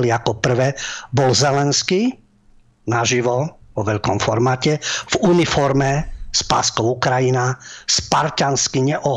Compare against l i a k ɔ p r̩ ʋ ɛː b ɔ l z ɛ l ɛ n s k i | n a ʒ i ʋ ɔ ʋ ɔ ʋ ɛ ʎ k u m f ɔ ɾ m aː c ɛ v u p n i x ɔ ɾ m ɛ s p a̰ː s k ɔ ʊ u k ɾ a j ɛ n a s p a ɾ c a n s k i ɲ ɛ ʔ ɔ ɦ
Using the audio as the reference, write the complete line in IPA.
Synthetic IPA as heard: l i a k ɔ p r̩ ʋ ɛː b ɔ l z ɛ l ɛ n s k i | n a ʒ i ʋ ɔ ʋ ɔ ʋ ɛ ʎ k ɔ m f ɔ ɾ m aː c ɛ v u n i f ɔ ɾ m ɛ s p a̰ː s k ɔ ʊ u k ɾ a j i n a s p a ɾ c a n s k i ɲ ɛ ʔ ɔ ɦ